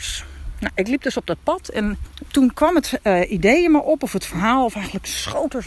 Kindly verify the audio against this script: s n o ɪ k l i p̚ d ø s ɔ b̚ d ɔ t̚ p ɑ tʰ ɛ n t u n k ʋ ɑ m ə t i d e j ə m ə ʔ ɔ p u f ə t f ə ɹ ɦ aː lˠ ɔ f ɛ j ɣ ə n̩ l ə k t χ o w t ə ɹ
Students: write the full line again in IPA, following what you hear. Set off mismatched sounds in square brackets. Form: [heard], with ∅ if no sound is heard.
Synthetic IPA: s n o ɪ k l i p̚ d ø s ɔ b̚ d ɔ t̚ p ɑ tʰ ɛ n t u n k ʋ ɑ m ə t i d e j ə m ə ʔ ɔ p [ɔ] f ə t f ə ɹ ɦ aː lˠ ɔ f ɛ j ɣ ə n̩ l ə k [s] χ o w t ə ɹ